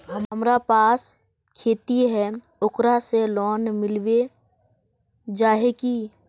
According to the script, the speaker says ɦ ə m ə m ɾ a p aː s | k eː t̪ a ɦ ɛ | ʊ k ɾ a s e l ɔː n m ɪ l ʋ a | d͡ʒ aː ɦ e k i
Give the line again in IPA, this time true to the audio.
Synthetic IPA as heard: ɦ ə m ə m ɾ a p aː s | kʰ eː t̪ i ɦ ɛ | ʊ k ɾ a s e l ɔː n m ɪ l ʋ e | d͡ʒ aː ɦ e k i